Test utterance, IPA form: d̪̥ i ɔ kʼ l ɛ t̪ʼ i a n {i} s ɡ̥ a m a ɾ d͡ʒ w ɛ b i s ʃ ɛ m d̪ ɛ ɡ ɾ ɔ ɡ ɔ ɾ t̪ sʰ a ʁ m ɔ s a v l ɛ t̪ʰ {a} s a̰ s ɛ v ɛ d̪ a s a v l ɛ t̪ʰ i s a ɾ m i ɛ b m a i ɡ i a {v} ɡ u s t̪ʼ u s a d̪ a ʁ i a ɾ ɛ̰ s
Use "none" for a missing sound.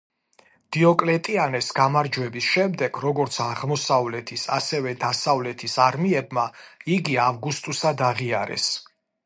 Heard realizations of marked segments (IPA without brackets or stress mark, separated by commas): ɛ, i, v